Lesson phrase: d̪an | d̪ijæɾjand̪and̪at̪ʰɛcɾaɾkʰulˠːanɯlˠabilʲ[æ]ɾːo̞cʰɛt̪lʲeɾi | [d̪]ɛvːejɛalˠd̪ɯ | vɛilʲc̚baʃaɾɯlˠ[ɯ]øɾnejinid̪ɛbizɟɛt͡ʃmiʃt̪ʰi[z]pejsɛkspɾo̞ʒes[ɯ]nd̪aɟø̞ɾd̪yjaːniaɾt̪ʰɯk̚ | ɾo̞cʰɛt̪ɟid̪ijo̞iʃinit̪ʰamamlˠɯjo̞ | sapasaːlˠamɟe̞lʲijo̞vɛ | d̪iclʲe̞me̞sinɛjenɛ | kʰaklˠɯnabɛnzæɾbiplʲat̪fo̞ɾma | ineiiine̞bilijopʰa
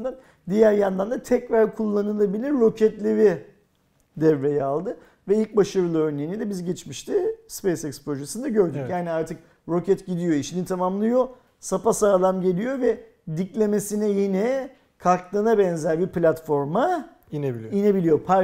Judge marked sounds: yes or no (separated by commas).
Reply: no, yes, yes, no, yes